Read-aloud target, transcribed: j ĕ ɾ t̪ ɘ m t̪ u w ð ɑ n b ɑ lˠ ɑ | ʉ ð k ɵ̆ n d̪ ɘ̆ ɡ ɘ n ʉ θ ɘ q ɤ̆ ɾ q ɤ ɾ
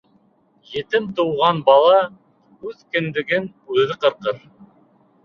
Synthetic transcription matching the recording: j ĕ t̪ ɘ m t̪ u w ʁ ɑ n b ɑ lˠ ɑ | ʉ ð k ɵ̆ n d̪ ɘ̆ ɡ ɘ n ʉ ð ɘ q ɤ̆ ɾ q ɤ ɾ

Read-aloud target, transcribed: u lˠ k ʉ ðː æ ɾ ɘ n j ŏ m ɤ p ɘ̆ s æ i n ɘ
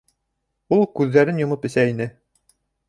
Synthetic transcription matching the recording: u lˠ k ʉ ðː æ ɾ ɘ n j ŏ m ɤ p ɘ̆ s æ i n ɘ

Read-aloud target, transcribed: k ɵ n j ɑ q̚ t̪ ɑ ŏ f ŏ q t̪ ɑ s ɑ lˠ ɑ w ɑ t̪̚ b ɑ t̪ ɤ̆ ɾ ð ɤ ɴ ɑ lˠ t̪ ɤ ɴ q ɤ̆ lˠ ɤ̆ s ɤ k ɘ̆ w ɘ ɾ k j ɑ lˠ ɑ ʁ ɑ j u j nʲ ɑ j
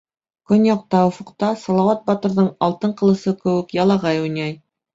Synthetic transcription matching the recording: k ɵ n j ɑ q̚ t̪ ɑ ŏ f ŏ q t̪ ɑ s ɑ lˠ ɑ w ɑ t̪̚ b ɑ t̪ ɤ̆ ɾ ð ɤ ɴ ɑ lˠ t̪ ɤ ɴ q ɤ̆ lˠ ɤ̆ s ɤ k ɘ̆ w ɘ k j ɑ lˠ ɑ ʁ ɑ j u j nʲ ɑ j

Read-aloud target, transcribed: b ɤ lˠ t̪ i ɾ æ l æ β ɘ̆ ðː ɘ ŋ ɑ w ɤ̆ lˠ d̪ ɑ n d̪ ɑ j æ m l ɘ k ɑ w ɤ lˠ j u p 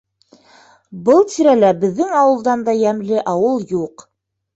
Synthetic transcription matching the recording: b ɤ lˠ t̪ i ɾ æ l æ b ɘ̆ ðː ɘ ŋ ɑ w ɤ̆ lˠ d̪ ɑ n d̪ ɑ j æ m l ɘ ʔ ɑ w ɤ lˠ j u q

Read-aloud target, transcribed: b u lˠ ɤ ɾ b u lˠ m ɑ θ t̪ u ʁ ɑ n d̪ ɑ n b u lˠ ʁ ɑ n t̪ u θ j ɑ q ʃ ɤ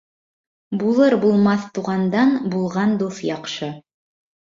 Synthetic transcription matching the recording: b u lˠ ɤ ɾ b u lˠ m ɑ θ t̪ u ʁ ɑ n d̪ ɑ n b u lˠ ʁ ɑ n d̪ u θ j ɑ q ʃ ɤ

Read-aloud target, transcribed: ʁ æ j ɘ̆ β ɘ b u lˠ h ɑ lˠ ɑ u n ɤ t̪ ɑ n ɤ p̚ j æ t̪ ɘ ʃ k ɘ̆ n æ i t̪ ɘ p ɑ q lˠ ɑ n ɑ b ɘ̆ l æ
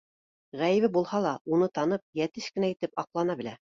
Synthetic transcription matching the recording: ʁ æ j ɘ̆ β ɘ b u lˠ h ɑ lˠ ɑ u n ɤ t̪ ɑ n ɤ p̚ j æ t̪ ɘ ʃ k ɘ̆ n æ i t̪ ɘ p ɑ q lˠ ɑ n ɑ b ɘ̆ l æ

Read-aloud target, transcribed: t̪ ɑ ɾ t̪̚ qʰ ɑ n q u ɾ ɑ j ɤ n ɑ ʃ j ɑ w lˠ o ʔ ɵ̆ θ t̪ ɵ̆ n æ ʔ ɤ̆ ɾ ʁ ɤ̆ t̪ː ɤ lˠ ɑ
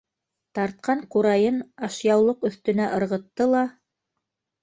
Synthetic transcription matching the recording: t̪ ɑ ɾ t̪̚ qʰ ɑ ɴ q u ɾ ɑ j ɤ n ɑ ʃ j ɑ w lˠ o q ɵ̆ θ t̪ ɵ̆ n æ ʔ ɤ̆ ɾ ʁ ɤ̆ t̪ː ɤ lˠ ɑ

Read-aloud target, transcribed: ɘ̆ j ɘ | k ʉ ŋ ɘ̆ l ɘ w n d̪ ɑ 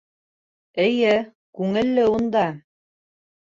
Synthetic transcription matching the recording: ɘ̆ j ɘ | k ʉ ŋ ɘ̆ lː ɘ u n d̪ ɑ

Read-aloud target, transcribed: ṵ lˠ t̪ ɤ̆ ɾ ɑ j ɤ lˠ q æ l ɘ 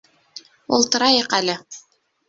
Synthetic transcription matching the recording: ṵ lˠ t̪ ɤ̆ ɾ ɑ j ɤ q æ l ɘ

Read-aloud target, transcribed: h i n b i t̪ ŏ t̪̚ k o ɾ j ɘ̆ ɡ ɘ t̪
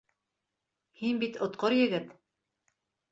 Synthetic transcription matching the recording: h i n b i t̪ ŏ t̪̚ q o ɾ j ɘ̆ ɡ ɘ t̪

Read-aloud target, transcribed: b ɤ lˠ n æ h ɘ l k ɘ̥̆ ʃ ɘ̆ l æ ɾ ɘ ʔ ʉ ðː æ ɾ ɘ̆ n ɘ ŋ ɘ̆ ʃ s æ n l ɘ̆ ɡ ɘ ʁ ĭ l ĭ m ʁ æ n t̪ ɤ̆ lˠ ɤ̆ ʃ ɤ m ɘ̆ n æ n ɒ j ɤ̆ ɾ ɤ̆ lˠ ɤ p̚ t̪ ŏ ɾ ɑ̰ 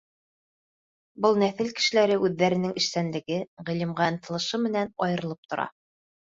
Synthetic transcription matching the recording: b ɤ lˠ n æ θ ɘ l k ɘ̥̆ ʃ ɘ̆ l æ ɾ ɘ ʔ ʉ ðː æ ɾ ɘ̆ n ɘ ŋ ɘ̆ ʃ s æ n l ɘ̆ ɡ ɘ ʁ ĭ l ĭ m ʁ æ n t̪ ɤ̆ lˠ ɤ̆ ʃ ɤ m ɘ̆ n æ n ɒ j ɤ̆ ɾ ɤ̆ lˠ ɤ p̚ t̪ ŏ ɾ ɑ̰

